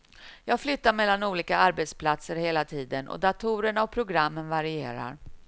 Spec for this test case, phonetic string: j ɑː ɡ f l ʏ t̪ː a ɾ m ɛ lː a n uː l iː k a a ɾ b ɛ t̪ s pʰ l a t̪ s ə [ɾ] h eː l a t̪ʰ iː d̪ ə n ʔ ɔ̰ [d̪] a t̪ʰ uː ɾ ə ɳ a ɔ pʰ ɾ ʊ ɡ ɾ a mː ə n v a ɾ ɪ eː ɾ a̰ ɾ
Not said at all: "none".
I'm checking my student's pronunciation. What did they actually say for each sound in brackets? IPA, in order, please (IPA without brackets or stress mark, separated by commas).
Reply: ɾ, d̪